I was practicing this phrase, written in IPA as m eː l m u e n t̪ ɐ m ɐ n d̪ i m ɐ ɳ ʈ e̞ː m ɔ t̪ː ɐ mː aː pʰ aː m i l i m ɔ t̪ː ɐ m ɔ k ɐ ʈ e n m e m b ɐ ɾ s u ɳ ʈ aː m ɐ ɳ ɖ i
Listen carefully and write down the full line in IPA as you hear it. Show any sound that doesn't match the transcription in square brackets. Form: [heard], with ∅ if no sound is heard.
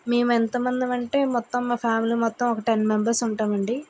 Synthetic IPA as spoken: m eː [∅] m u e n t̪ ɐ m ɐ n d̪ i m ɐ ɳ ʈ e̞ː m ɔ t̪ː ɐ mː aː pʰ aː m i l i m ɔ t̪ː ɐ m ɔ k ɐ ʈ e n m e m b ɐ ɾ s u ɳ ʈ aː m ɐ ɳ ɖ i